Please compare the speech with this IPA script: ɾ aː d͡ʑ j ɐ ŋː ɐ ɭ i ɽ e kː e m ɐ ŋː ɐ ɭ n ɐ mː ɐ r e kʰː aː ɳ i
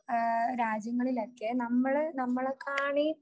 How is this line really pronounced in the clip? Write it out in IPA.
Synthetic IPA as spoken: ɾ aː d͡ʑ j ɐ ŋː ɐ ɭ i l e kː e n ɐ mː ɐ ɭ n ɐ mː ɐ ɭ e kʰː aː ɳ i